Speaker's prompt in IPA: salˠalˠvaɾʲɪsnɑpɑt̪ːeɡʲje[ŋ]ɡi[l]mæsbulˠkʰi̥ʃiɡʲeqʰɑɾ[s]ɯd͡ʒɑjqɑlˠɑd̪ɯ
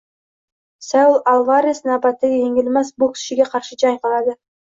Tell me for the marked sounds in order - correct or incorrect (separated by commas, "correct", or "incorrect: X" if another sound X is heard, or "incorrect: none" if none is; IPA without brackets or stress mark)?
correct, correct, incorrect: ʃ